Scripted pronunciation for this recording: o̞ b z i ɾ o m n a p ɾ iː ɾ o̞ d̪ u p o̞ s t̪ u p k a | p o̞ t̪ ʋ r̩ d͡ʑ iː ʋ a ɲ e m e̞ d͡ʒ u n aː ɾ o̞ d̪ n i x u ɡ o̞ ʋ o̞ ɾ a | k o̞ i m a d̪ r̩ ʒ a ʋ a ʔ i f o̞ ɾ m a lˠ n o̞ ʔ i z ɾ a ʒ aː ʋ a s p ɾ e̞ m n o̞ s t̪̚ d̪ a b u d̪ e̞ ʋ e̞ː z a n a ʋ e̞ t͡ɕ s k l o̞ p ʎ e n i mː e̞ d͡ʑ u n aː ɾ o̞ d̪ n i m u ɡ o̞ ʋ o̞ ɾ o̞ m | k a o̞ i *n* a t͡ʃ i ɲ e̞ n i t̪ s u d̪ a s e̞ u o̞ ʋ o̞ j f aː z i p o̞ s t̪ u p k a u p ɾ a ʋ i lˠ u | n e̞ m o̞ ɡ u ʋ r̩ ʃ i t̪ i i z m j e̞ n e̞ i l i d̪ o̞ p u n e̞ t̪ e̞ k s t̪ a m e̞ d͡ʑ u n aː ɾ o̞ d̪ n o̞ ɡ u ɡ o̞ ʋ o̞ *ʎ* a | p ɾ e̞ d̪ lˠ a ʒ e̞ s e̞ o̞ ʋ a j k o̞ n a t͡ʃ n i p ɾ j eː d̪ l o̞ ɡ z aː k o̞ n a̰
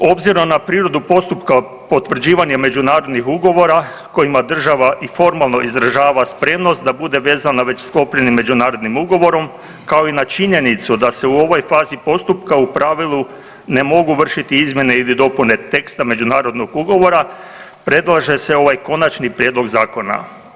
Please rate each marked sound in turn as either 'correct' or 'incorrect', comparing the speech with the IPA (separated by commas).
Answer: correct, incorrect